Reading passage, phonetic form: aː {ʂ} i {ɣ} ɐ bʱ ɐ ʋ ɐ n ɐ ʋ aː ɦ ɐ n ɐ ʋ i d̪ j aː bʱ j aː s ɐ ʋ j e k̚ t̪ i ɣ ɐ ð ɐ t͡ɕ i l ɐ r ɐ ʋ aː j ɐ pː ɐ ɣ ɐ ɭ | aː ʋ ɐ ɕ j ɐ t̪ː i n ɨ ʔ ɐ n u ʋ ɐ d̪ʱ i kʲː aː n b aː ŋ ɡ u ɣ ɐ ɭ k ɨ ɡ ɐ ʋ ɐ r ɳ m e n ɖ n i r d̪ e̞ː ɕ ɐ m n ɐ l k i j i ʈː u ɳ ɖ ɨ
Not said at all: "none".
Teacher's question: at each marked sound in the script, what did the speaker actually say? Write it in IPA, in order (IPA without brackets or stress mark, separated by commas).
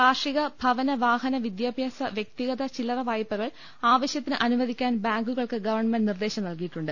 ʂ, ɣ